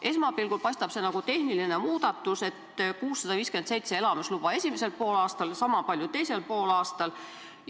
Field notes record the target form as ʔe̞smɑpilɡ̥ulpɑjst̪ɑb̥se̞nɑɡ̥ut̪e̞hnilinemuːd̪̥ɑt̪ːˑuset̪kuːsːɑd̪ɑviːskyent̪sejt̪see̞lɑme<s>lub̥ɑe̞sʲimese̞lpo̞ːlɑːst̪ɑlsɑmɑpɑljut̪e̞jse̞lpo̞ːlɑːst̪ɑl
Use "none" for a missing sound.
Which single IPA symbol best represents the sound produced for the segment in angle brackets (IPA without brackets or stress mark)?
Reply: s